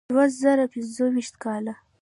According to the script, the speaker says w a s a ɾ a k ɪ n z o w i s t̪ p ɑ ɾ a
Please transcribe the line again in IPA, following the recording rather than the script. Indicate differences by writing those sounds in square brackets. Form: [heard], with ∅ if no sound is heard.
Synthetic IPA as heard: w a [z] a ɾ a [p] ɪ n z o w i [ʃ] t̪ [k] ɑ [l] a